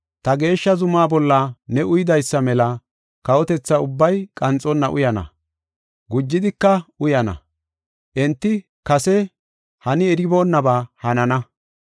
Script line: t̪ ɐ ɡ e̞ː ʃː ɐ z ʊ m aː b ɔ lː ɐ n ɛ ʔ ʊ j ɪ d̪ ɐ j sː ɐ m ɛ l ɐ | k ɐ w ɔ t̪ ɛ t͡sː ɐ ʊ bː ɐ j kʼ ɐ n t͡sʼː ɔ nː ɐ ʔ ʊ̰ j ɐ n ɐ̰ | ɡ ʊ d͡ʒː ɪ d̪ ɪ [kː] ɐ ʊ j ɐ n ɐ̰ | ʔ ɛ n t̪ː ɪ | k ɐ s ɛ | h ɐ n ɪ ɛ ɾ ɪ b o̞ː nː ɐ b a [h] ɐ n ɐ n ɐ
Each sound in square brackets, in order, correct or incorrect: correct, correct

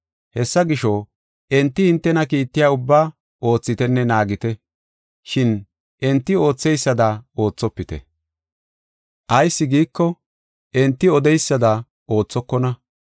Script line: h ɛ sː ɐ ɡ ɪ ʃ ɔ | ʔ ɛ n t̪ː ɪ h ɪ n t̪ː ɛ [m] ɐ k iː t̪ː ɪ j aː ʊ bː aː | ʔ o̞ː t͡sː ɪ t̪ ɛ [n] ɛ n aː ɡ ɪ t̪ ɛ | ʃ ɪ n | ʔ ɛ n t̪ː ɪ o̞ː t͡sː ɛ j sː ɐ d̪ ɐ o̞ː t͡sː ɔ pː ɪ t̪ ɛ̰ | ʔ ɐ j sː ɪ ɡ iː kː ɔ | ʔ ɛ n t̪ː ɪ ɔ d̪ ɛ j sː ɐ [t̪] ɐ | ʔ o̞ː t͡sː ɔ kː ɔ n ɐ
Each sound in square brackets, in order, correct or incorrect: incorrect, incorrect, incorrect

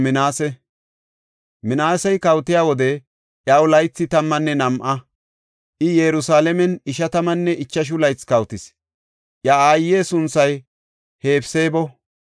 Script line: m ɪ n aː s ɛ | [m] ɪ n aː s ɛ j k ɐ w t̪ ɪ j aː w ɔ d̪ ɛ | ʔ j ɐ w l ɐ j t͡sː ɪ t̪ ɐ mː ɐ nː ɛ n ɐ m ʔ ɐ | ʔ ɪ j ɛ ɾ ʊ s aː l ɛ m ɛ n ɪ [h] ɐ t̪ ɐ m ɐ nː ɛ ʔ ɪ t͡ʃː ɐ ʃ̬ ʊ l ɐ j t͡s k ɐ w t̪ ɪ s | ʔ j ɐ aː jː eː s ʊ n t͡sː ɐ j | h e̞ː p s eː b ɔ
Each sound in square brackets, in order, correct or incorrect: correct, incorrect

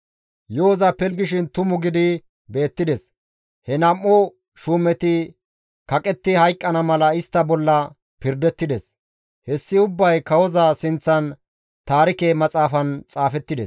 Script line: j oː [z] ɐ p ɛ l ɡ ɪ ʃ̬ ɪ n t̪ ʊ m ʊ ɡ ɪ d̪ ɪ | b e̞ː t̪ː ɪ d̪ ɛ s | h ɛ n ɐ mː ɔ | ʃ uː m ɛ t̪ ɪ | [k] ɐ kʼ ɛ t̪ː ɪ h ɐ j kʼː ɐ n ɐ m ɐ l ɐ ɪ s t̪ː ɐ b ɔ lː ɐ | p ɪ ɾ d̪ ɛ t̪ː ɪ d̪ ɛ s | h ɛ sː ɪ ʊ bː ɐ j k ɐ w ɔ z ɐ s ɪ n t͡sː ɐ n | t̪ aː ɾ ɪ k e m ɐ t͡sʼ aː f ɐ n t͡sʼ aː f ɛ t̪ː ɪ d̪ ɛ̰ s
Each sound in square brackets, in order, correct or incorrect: correct, correct

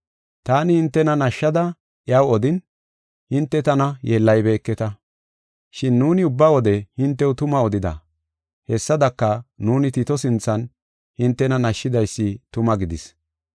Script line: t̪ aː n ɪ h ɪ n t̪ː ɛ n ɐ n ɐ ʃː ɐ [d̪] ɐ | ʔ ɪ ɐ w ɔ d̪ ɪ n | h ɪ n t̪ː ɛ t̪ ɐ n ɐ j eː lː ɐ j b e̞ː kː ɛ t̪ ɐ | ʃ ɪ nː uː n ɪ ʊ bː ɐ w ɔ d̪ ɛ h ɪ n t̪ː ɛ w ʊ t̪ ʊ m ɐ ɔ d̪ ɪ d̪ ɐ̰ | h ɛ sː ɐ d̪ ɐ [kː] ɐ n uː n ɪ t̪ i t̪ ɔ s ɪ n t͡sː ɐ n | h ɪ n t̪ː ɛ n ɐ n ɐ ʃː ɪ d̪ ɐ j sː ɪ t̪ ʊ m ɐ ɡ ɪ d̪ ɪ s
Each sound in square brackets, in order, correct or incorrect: correct, correct

